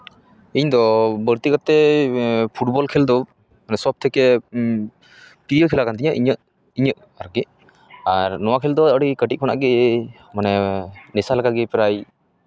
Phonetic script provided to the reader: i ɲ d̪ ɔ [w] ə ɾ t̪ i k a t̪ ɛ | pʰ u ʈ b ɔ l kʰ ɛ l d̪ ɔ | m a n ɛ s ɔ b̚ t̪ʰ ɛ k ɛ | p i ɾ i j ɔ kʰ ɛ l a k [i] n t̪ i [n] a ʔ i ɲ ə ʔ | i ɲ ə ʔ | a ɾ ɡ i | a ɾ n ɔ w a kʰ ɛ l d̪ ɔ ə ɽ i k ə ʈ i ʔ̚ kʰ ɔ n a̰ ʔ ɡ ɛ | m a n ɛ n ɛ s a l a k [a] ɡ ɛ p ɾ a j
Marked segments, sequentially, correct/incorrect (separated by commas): incorrect, incorrect, incorrect, correct